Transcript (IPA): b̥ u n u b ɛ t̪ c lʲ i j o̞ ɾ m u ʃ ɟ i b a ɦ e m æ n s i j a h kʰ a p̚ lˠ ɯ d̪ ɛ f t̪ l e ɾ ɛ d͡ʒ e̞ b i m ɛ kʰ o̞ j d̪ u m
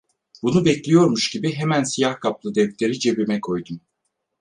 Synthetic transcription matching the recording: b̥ u n u b ɛ c lʲ i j o̞ ɾ m u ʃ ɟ i b i ɦ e m æ n s i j a h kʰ a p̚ lˠ ɯ d̪ ɛ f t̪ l e ɾ i d͡ʒ e̞ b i m ɛ kʰ o̞ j d̪ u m